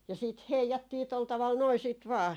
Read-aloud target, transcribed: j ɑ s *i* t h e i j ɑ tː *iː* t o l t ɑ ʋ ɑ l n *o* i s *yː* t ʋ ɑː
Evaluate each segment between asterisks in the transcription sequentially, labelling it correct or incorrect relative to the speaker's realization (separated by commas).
incorrect, correct, correct, incorrect